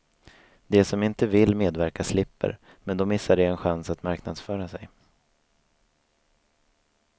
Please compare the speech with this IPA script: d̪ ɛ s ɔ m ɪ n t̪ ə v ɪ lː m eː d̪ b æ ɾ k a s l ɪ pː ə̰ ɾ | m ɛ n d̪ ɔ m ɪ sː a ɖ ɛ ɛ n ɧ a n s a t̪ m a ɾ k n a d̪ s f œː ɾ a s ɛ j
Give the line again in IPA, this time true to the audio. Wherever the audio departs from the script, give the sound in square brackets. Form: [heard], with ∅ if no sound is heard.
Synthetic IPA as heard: d̪ ɛ s ɔ m ɪ n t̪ ə v ɪ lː m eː d̪ [v] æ ɾ k a s l ɪ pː ə̰ ɾ | m ɛ n d̪ ɔ m ɪ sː a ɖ ɛ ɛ n ɧ a n s a t̪ m a ɾ k n a d̪ s f œː ɾ a s ɛ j